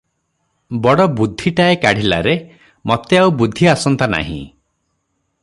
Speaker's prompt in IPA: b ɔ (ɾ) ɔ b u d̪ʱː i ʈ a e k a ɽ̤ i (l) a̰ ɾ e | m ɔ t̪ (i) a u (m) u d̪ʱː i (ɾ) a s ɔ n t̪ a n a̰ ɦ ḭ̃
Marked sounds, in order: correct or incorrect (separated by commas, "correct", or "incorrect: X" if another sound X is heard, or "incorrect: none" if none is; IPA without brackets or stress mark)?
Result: incorrect: ɽ, correct, incorrect: e, incorrect: b, incorrect: none